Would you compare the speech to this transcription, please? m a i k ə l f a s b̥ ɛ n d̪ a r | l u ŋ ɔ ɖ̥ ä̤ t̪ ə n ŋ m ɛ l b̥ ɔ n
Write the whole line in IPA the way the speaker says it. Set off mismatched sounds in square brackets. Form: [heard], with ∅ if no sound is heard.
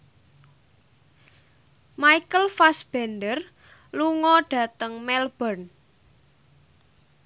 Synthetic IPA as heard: m a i k ə l f a s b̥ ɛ n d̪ [ə] r | l u ŋ ɔ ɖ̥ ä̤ t̪ ə [∅] ŋ m ɛ l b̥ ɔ n